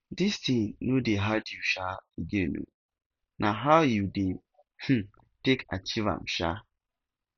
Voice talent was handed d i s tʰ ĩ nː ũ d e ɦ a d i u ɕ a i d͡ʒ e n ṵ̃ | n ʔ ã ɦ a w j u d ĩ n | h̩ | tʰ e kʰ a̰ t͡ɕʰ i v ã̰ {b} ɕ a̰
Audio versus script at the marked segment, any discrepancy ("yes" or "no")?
yes